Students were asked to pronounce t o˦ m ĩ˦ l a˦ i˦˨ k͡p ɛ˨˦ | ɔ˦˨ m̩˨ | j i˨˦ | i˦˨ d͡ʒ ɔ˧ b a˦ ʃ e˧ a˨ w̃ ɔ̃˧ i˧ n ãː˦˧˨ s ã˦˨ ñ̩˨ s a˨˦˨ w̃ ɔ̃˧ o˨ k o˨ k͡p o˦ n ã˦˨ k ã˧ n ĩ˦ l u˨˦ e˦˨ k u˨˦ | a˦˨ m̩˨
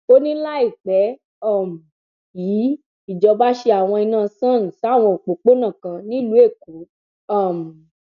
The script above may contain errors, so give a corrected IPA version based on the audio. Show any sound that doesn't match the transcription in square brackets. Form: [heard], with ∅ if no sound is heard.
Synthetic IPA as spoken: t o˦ [n] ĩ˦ l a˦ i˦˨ k͡p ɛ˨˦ | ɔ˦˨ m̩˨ | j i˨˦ | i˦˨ d͡ʒ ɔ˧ b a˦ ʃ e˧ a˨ w̃ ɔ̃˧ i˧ n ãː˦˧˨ s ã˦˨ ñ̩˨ s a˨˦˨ w̃ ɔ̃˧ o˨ [k͡p] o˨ k͡p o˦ n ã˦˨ k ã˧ n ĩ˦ l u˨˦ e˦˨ k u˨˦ | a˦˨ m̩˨